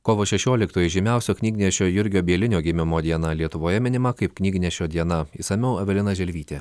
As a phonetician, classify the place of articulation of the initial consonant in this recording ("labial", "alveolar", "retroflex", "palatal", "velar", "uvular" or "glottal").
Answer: velar